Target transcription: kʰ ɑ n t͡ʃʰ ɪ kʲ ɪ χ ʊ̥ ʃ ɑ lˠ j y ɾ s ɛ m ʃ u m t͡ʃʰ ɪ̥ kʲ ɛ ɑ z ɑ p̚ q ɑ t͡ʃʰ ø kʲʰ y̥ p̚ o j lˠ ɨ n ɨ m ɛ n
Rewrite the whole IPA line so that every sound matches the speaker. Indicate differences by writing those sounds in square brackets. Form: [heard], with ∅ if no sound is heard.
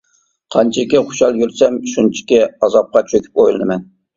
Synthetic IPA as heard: [qʰ] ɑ n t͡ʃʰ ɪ kʲ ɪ χ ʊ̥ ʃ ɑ lˠ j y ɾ s ɛ m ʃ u [n] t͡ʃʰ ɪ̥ kʲ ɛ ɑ z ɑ p̚ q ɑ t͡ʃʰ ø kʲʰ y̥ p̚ o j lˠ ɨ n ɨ m ɛ n